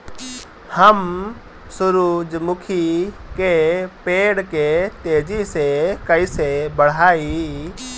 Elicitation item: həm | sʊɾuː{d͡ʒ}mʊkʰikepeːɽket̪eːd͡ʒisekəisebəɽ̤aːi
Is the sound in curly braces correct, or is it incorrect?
correct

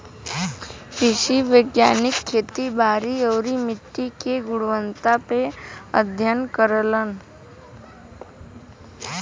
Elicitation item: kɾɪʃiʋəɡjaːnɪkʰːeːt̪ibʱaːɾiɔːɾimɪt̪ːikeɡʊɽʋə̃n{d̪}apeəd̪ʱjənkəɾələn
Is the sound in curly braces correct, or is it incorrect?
incorrect: t̪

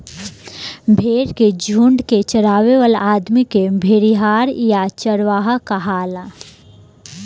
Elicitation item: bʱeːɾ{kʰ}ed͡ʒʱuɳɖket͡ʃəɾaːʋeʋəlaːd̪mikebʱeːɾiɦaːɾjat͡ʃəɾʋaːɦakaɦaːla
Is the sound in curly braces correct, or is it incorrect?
incorrect: k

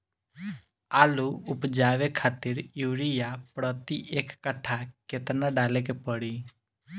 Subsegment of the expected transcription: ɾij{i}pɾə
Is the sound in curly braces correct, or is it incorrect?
incorrect: a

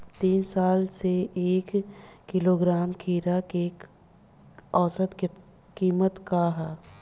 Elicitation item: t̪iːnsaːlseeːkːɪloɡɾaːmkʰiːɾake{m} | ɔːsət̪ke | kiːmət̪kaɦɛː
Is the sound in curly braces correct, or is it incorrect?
incorrect: none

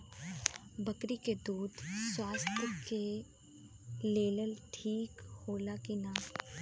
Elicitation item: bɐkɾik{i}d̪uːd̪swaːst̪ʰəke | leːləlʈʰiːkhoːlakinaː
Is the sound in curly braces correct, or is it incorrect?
incorrect: e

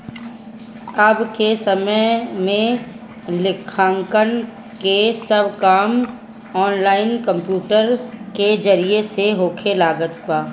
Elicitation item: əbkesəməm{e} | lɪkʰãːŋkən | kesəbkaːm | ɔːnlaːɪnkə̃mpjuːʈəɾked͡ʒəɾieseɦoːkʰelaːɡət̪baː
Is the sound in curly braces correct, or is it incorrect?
incorrect: ẽ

